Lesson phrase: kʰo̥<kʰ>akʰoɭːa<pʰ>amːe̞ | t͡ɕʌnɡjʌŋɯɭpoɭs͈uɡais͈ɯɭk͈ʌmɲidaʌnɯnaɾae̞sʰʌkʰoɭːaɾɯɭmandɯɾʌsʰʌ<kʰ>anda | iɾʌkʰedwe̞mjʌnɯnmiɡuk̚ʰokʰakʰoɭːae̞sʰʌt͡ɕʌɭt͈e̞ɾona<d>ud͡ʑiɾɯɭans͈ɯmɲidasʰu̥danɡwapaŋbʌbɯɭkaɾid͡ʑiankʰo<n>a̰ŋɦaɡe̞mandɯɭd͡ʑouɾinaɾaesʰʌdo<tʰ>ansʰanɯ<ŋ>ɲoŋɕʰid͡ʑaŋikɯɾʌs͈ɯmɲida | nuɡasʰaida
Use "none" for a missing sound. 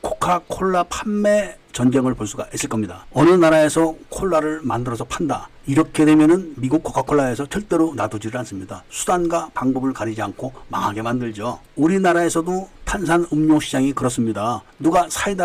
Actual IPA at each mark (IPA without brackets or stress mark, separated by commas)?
kʰ, pʰ, pʰ, d, m, tʰ, m